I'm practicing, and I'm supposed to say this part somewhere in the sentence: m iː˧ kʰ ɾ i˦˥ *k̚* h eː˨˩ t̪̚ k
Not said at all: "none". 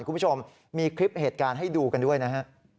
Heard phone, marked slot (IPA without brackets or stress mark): p̚